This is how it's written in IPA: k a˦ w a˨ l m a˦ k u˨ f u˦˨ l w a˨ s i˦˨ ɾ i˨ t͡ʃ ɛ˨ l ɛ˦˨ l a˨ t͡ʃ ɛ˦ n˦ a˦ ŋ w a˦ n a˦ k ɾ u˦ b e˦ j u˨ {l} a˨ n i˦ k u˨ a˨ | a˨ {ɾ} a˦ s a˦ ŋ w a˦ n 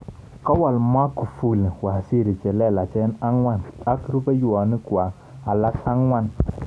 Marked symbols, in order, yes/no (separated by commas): no, no